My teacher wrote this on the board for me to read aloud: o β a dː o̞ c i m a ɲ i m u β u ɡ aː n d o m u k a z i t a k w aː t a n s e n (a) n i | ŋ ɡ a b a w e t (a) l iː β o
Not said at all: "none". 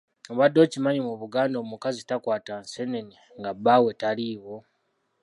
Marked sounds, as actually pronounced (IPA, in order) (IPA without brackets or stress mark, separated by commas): e, a